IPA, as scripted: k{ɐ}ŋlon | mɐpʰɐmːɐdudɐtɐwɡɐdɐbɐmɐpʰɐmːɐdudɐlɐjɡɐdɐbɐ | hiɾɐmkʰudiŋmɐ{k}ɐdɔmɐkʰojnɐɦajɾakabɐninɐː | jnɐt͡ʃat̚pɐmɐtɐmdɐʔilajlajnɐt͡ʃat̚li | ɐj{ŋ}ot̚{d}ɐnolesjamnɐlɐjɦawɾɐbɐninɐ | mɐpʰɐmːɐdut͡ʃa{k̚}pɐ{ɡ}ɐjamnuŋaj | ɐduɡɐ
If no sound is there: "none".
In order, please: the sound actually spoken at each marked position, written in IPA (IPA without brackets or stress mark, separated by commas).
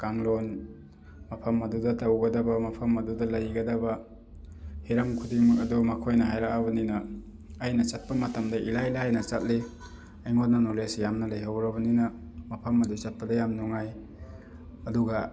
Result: a, k, ŋ, n, t̚, d